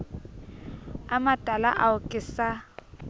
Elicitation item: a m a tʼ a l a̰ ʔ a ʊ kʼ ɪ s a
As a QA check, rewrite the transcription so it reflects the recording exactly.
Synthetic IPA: a m a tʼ a l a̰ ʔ a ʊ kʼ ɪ s a